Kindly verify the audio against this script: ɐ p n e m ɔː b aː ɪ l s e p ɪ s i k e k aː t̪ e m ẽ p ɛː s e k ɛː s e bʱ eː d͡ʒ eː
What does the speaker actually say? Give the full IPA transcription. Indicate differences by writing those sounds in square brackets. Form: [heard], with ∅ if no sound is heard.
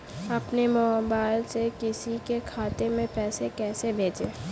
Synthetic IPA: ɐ p n e m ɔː b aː ɪ l s e [k] ɪ s i k e [kʰ] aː t̪ e m ẽ p ɛː s e k ɛː s e bʱ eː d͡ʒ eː